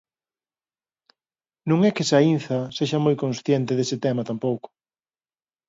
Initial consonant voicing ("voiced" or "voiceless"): voiced